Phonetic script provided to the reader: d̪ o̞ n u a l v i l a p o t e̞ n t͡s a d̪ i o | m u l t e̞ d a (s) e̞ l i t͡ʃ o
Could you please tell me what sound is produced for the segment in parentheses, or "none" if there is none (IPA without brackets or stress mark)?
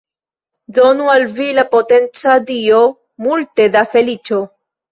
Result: f